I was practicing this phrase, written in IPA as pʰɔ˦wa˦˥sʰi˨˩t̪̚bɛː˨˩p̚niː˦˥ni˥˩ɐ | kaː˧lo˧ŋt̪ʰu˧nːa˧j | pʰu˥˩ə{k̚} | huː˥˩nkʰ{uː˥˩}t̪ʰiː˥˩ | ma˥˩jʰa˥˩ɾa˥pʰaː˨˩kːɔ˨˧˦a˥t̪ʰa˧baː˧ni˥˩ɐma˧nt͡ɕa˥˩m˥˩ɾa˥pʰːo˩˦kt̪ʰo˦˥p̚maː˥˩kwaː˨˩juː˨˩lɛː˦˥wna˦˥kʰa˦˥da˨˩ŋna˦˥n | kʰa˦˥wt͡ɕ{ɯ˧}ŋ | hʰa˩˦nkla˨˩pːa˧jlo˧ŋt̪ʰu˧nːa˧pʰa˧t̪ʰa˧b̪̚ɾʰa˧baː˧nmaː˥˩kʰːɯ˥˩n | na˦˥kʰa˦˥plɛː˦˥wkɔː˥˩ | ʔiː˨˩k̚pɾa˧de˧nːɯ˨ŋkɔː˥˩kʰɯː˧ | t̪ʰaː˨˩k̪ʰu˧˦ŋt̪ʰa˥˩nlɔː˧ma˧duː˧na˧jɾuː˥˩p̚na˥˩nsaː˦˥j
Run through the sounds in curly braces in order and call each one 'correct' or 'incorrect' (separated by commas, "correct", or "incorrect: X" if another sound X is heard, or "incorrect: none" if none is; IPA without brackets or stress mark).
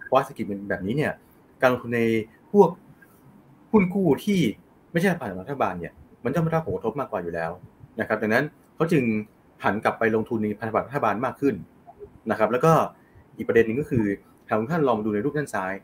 correct, correct, correct